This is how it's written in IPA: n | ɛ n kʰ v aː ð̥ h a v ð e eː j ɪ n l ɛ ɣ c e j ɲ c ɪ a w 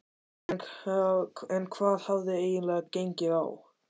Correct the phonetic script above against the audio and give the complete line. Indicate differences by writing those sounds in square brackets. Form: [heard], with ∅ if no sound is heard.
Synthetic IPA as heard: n | ɛ n kʰ v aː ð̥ h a v ð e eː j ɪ n l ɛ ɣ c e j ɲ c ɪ a w